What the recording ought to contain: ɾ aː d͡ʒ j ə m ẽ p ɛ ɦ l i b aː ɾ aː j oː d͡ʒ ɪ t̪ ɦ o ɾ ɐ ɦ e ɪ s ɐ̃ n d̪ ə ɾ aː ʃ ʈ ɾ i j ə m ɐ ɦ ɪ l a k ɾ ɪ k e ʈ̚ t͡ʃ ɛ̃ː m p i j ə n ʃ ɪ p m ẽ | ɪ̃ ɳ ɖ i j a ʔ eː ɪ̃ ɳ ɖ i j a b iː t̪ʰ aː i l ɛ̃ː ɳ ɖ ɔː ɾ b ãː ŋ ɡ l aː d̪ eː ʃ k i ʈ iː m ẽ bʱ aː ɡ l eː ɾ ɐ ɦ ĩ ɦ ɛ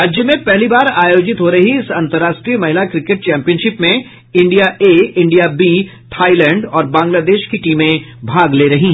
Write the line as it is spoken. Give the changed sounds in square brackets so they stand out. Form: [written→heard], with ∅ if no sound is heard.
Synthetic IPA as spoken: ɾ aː d͡ʒ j ə m ẽ p ɛ ɦ l i b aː ɾ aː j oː d͡ʒ ɪ t̪ ɦ o ɾ ɐ ɦ [e→i] ɪ s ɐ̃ n [d̪→t̪] ə ɾ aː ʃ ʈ ɾ i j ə m ɐ ɦ ɪ l a k ɾ ɪ k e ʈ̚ t͡ʃ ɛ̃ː m p i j ə n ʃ ɪ p m ẽ | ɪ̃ ɳ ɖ i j a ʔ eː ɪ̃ ɳ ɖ i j a b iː t̪ʰ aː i l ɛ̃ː ɳ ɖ ɔː ɾ b ãː ŋ ɡ l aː d̪ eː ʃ k i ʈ iː m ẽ bʱ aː ɡ l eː ɾ ɐ ɦ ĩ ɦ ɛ